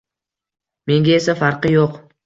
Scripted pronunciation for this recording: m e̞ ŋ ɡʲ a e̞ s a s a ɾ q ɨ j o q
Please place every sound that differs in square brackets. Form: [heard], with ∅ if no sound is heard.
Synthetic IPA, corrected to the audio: m e̞ ŋ ɡʲ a e̞ s a [f] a ɾ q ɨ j o q